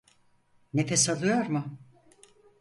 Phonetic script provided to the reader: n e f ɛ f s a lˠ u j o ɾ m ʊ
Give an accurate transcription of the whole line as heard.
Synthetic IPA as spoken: n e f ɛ s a lˠ ɯ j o ɾ m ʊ